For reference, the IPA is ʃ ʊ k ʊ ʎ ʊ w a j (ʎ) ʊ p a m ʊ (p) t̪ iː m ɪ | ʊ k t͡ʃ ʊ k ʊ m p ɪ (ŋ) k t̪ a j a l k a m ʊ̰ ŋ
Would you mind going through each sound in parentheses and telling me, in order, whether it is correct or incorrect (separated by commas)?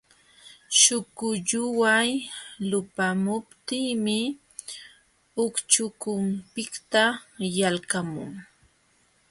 incorrect, correct, incorrect